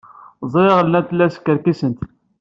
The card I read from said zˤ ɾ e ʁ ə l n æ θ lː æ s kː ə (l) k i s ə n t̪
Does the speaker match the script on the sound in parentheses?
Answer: no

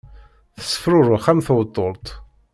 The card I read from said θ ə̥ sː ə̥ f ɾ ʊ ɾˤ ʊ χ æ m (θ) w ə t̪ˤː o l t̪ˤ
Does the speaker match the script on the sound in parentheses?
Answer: yes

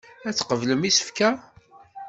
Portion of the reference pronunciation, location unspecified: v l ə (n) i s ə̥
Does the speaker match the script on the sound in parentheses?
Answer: no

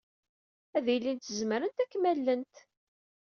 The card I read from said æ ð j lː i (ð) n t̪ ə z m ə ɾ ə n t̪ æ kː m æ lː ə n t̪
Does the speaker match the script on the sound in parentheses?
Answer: no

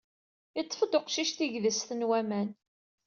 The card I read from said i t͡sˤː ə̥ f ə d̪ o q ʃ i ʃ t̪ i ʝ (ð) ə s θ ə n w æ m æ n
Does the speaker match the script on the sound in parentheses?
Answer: yes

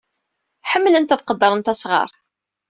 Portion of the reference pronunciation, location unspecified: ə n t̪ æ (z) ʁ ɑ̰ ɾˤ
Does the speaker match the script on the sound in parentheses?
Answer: no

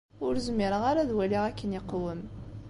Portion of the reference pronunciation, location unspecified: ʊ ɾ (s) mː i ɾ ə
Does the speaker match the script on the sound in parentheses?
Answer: no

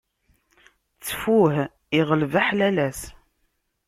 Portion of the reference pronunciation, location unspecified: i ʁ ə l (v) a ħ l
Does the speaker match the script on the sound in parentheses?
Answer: yes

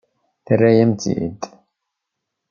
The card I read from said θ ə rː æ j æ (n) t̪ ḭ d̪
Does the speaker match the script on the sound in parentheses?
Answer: no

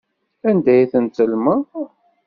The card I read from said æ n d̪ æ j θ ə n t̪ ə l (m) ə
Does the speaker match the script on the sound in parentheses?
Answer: yes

